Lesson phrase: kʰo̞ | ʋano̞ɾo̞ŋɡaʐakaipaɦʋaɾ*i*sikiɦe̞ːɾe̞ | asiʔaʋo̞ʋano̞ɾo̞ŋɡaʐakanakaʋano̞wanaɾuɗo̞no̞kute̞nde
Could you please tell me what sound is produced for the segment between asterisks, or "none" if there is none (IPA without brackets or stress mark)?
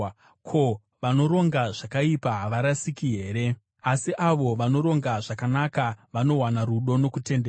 a